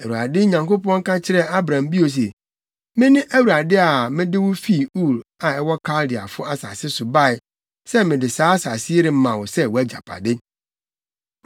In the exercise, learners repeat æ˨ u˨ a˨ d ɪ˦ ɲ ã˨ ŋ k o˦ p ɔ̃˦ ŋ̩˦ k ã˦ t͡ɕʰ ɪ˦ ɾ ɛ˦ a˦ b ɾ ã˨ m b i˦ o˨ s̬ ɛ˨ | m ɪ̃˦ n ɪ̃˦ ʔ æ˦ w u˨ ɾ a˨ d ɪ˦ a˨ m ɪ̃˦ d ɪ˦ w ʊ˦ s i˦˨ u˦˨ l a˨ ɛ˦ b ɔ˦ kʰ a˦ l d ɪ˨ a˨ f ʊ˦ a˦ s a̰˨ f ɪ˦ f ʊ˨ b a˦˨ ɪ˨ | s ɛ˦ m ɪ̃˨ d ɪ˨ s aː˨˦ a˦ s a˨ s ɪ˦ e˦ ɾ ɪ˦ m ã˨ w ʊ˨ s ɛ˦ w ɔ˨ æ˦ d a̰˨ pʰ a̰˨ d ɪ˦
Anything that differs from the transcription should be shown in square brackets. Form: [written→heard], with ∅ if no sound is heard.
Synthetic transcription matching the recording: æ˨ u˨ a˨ d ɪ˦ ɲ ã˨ ŋ k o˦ p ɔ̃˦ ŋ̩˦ k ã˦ t͡ɕʰ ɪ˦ ɾ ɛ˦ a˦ b ɾ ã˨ m b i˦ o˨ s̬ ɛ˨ | m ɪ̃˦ n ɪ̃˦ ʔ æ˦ w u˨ ɾ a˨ d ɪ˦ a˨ m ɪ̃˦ d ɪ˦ w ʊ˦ [s→f] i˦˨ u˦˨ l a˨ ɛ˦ [b→w] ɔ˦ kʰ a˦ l d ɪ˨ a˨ f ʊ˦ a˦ s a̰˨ [f→s] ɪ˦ [f→s] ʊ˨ b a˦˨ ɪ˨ | s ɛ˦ m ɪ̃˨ d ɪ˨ s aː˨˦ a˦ s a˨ s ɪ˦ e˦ ɾ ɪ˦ m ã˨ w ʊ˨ s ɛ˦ w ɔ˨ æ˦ [d→d͡ʑ] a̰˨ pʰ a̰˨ d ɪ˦